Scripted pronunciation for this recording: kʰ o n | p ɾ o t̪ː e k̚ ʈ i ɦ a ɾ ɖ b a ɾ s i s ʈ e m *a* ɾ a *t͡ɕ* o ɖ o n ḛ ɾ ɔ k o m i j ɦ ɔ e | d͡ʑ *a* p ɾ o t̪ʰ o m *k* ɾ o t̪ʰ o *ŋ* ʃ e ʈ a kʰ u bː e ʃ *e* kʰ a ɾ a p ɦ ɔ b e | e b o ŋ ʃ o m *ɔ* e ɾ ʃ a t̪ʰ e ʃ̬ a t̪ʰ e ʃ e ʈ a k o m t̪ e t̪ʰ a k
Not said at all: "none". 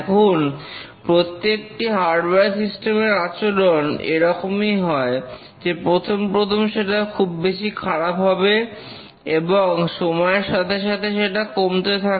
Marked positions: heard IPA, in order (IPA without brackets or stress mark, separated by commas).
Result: e, t͡ɕ, e, p, m, i, ɔ